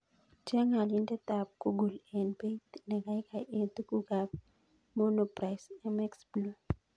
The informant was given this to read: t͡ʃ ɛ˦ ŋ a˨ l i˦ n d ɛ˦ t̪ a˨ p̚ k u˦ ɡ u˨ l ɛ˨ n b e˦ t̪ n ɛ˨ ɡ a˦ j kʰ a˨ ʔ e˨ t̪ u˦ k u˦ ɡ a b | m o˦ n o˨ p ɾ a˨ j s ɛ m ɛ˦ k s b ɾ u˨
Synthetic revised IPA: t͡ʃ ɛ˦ ŋ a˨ l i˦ n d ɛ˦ t̪ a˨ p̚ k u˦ ɡ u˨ l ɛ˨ n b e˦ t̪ n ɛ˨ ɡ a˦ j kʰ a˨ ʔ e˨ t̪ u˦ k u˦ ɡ a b | m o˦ n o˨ p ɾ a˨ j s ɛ m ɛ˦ k s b l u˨